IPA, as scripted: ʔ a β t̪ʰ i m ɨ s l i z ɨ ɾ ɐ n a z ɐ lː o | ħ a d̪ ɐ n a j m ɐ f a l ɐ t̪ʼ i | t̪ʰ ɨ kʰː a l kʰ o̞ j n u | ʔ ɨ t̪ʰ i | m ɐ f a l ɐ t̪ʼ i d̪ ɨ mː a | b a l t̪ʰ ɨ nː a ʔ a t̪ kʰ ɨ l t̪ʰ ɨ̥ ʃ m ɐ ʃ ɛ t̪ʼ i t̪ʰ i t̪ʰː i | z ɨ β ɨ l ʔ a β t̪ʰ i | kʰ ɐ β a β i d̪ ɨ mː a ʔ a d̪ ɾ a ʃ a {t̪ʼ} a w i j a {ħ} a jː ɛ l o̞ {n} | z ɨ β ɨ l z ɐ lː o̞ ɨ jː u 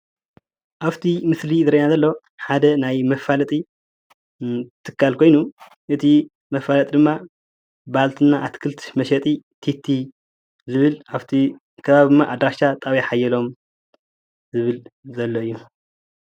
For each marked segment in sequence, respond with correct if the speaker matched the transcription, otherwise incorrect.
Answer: correct, correct, incorrect: m

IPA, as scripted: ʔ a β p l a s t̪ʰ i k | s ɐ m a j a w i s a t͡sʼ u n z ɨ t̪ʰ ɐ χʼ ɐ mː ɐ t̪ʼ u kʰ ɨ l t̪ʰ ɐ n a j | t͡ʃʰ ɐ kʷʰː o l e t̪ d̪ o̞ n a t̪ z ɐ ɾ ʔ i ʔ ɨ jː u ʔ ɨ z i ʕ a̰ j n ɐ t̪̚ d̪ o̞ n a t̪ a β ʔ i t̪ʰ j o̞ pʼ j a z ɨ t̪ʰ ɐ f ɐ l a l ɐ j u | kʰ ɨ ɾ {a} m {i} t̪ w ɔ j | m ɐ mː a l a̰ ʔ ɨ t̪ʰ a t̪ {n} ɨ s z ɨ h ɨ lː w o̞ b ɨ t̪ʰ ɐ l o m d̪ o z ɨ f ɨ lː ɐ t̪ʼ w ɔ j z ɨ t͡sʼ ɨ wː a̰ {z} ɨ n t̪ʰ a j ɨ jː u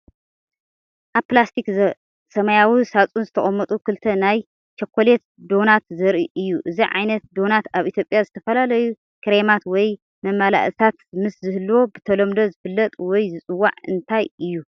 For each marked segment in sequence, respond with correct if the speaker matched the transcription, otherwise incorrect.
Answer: incorrect: e, incorrect: a, incorrect: m, incorrect: ʕ

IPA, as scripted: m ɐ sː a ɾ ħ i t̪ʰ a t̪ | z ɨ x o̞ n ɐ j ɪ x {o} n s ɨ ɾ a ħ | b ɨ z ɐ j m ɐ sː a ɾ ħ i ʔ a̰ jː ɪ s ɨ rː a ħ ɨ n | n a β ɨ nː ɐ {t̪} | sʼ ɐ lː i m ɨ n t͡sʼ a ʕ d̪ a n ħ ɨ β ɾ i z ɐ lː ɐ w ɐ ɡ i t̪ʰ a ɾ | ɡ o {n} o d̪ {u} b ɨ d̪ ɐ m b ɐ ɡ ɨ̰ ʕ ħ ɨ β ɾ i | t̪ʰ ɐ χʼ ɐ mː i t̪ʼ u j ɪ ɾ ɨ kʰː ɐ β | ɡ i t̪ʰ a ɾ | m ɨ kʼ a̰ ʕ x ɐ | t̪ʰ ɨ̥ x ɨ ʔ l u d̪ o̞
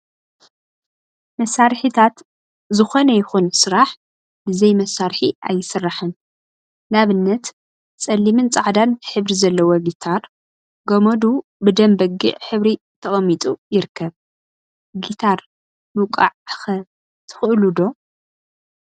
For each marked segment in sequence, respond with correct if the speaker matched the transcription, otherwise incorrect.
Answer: incorrect: u, correct, incorrect: m, correct

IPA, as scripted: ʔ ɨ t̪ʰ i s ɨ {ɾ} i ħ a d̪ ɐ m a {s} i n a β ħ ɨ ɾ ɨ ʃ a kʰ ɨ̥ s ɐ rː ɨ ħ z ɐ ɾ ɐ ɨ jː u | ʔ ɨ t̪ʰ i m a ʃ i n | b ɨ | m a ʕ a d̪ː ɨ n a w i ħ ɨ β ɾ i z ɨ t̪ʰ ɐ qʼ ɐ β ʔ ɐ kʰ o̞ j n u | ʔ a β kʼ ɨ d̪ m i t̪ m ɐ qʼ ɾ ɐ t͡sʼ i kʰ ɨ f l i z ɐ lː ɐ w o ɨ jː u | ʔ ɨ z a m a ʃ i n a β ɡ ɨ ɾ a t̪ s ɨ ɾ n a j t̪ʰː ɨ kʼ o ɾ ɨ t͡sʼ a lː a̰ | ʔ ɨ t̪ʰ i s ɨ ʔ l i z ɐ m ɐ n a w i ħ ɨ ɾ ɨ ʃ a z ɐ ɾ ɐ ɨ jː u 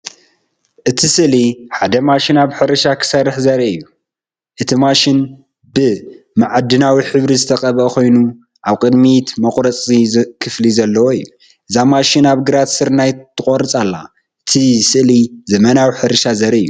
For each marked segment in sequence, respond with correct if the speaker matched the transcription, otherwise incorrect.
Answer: incorrect: l, incorrect: ʃ

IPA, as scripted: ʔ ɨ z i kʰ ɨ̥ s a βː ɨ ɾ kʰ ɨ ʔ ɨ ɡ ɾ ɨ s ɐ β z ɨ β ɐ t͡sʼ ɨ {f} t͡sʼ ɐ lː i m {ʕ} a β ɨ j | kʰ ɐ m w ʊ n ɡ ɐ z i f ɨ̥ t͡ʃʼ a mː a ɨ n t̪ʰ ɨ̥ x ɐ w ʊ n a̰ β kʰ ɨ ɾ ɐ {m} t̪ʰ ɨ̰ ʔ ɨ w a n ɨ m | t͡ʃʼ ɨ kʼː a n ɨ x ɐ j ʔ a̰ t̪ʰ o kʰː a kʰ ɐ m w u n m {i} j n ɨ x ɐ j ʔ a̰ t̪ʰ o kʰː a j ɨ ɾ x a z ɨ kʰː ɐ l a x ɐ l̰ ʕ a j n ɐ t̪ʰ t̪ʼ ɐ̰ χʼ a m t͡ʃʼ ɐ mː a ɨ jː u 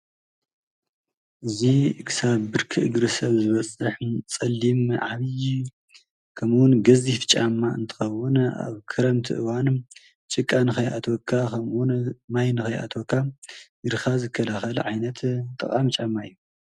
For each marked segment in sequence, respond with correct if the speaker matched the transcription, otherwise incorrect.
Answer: incorrect: ħ, correct, correct, incorrect: a

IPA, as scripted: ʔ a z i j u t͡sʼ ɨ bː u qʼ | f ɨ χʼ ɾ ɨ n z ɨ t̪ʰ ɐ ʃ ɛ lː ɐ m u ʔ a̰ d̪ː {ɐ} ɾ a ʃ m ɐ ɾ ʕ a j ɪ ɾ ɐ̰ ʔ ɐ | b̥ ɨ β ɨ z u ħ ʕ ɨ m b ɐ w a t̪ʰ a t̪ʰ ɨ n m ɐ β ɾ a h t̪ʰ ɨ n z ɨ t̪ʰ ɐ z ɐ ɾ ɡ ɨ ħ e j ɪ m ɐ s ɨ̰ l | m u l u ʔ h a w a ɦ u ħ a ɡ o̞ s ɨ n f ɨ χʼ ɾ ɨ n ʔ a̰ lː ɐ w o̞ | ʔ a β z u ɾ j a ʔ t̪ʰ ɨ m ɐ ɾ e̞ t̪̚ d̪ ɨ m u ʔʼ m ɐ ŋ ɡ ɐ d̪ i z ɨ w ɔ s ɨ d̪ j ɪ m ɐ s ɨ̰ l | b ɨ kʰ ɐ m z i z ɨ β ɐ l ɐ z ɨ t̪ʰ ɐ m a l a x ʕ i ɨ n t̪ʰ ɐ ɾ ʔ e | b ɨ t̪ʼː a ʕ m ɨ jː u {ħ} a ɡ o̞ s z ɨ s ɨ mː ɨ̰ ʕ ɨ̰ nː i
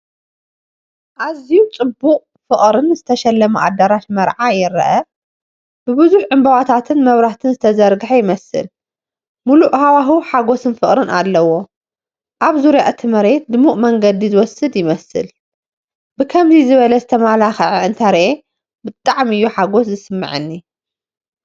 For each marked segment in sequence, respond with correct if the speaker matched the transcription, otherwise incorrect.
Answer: correct, correct

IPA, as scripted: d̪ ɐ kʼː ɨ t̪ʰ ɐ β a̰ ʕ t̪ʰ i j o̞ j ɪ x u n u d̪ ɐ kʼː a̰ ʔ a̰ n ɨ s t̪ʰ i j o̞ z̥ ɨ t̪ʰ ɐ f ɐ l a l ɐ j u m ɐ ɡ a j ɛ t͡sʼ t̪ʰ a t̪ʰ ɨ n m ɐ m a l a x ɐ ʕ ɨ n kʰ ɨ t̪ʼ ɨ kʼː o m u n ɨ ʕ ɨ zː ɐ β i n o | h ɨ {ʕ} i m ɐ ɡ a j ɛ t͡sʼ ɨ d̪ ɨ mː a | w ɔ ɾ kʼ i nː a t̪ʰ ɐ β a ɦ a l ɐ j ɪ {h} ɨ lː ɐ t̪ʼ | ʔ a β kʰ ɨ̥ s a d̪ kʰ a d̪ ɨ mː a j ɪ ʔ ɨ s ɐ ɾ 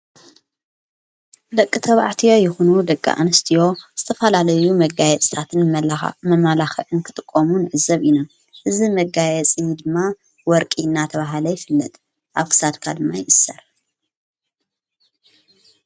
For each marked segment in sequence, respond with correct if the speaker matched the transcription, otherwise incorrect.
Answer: incorrect: z, incorrect: f

